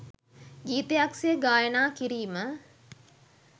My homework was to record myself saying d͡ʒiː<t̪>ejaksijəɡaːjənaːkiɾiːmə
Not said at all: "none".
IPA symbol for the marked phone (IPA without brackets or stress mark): t̪